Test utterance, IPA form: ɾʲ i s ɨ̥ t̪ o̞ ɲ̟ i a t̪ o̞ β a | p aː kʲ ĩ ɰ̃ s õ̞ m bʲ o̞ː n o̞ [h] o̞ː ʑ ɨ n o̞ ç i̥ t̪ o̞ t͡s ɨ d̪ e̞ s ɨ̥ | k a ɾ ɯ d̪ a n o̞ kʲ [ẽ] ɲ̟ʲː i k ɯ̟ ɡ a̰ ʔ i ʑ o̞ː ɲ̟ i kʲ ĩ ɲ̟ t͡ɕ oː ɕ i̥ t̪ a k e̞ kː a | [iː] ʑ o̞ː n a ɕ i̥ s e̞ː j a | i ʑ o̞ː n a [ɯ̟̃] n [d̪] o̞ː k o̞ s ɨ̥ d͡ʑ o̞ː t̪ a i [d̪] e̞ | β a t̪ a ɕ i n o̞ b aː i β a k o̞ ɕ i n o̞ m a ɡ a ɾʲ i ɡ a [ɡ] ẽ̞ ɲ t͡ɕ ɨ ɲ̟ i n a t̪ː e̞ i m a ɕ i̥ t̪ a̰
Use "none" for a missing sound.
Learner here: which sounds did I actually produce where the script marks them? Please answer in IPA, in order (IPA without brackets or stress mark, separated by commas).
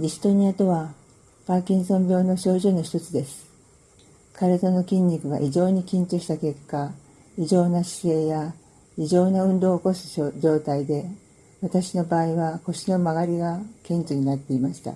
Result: ɕ, ĩ, i, ɯ̟̃, d̪, d̪, k